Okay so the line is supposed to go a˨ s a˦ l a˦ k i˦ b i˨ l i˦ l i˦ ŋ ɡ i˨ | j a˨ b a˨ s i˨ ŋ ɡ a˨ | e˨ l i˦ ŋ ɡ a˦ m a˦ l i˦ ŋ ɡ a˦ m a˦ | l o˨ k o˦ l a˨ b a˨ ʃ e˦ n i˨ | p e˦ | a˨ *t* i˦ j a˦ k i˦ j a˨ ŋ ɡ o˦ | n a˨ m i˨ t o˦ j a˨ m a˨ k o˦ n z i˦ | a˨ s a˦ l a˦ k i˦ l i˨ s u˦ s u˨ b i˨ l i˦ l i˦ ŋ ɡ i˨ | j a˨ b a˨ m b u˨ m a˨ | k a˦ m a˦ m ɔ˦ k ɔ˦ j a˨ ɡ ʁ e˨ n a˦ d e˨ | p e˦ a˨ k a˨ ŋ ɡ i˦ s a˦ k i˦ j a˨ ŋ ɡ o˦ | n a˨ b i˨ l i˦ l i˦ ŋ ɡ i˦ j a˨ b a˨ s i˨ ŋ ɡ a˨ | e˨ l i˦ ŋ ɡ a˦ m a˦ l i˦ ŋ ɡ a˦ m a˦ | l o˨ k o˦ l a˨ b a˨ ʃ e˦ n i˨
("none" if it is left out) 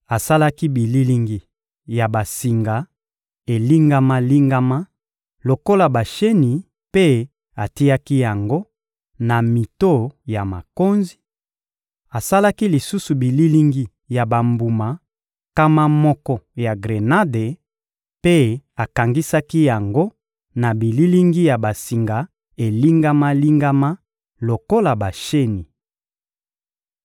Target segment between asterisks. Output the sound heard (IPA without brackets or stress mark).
t